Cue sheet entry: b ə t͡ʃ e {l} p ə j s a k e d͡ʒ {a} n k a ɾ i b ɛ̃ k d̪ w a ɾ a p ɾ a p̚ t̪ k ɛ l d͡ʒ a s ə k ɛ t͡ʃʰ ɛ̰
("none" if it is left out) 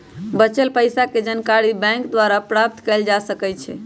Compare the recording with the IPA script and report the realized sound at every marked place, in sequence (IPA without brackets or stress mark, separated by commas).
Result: l, ə